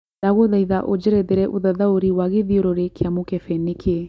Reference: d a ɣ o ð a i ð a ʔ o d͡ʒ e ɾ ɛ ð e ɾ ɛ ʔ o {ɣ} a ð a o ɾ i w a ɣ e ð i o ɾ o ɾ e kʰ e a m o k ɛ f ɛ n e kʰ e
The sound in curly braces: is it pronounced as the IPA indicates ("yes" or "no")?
no